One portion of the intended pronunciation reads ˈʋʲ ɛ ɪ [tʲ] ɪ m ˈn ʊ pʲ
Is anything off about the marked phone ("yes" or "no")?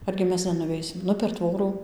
yes